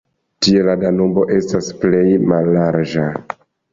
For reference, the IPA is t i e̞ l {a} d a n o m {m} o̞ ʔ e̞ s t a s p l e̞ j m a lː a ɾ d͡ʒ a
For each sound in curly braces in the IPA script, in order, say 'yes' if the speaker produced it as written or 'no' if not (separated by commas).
yes, no